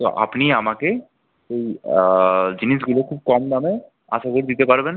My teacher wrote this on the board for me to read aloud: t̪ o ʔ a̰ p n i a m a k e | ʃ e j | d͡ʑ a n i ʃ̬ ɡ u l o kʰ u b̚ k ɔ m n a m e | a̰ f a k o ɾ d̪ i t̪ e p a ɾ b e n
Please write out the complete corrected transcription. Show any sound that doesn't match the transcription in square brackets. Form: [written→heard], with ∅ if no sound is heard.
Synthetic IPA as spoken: t̪ o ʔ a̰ p n i a m a k e | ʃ e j | d͡ʑ [a→i] n i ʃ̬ ɡ u l o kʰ u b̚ k ɔ m n a m e | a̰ [f→ʃ] a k o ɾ d̪ i t̪ e p a ɾ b e n